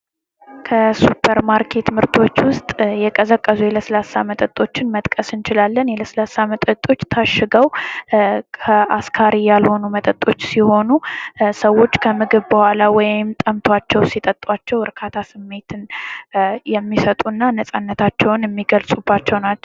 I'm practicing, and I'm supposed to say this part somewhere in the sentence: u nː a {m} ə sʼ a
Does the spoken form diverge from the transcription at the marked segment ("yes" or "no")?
yes